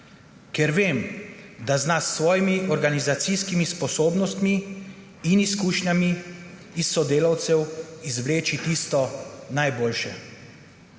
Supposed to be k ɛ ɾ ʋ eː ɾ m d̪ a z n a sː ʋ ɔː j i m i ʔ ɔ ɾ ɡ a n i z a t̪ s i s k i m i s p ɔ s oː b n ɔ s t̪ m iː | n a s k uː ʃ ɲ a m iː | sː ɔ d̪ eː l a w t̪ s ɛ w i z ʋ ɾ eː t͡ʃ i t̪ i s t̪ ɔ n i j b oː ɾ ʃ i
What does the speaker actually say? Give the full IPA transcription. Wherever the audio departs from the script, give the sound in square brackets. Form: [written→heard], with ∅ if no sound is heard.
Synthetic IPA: k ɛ ɾ ʋ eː [ɾ→∅] m d̪ a z n a sː ʋ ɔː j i m i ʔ ɔ ɾ ɡ a n i z a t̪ s i s k i m i s p ɔ s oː b n ɔ s t̪ m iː | n [a→i] s k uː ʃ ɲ a m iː | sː ɔ d̪ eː l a w t̪ s ɛ w i z ʋ [ɾ→l] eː t͡ʃ i t̪ i s t̪ ɔ n [i→a] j b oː [ɾ→l] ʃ [i→ɛ]